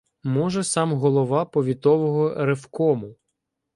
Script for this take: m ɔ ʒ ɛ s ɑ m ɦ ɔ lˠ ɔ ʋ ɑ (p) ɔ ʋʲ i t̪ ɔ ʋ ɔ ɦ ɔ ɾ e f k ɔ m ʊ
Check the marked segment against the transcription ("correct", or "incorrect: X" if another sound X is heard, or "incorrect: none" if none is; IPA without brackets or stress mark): correct